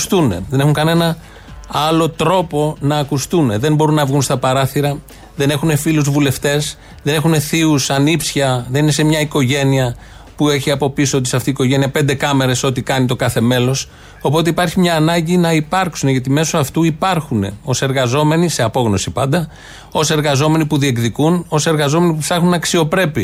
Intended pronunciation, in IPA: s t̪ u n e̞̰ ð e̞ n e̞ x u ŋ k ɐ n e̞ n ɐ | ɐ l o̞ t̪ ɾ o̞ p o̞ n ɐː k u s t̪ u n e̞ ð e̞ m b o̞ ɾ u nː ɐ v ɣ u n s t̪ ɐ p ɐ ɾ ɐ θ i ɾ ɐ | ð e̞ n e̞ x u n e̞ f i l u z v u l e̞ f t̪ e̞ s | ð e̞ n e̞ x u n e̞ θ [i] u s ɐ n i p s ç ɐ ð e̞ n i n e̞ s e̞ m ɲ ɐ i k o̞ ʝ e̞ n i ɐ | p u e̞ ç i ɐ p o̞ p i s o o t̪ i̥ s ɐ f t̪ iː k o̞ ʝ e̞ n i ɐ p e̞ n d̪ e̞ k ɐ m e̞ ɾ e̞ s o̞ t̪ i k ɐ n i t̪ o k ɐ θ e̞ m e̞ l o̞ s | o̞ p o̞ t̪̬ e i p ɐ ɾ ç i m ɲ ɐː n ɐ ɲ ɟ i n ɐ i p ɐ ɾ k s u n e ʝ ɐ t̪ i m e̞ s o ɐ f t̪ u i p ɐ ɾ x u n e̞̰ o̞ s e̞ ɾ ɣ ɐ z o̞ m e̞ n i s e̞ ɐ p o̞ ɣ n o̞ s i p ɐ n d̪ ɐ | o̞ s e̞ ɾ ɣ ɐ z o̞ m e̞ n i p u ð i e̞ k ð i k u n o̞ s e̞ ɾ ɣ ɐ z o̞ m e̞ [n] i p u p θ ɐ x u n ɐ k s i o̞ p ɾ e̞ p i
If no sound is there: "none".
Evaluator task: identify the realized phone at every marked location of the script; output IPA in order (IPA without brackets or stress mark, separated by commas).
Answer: i, n